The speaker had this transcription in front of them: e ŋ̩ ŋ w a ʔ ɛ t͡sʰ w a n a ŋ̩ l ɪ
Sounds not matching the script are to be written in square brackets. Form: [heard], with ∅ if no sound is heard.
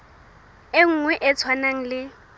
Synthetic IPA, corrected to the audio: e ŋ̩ ŋ w [ɛ] ʔ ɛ t͡sʰ w a n a ŋ̩ l ɪ